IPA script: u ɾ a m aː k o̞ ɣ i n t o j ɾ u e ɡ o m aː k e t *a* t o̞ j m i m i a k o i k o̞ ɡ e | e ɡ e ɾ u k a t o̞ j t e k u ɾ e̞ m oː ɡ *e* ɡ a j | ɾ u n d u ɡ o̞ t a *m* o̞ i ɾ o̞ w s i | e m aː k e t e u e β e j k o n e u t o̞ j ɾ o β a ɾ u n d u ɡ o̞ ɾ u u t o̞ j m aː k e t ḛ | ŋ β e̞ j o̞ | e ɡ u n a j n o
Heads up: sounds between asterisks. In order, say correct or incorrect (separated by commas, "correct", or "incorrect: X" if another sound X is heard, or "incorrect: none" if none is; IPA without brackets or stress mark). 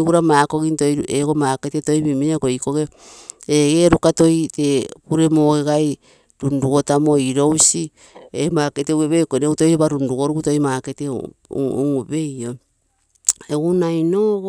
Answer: incorrect: e, correct, correct